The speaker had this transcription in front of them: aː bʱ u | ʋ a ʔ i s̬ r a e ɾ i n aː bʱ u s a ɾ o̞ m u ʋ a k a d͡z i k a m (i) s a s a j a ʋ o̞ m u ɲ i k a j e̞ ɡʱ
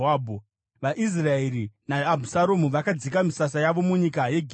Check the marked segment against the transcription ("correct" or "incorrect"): correct